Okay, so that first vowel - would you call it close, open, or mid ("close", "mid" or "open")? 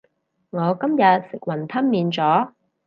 mid